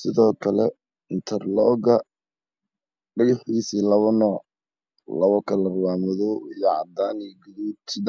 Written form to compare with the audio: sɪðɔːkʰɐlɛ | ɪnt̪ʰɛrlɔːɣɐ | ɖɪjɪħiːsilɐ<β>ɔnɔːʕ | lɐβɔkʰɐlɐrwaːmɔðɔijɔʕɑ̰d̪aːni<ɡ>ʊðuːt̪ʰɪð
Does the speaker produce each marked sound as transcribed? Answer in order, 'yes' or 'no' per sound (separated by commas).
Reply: yes, yes